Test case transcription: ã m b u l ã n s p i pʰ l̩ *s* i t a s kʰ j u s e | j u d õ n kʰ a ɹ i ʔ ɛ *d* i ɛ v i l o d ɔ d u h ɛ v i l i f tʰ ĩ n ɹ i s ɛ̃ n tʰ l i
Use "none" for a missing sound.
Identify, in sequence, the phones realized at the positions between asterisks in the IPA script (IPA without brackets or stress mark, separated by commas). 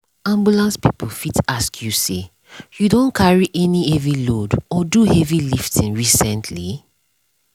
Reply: f, n